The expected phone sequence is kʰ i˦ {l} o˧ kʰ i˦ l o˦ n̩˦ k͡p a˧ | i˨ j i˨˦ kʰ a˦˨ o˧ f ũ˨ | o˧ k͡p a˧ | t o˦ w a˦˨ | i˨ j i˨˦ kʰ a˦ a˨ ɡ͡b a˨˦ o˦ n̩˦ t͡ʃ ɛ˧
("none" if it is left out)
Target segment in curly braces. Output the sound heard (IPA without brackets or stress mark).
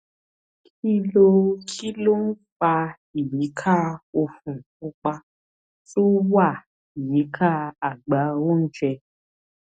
l